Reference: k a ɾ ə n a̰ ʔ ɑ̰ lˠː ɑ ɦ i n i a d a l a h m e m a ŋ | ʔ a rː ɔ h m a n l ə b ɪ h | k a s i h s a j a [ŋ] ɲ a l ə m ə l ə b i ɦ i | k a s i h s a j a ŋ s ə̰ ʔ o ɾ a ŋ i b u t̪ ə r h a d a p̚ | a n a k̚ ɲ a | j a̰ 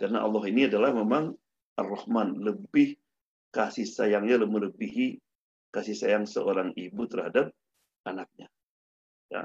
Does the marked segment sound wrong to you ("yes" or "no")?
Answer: no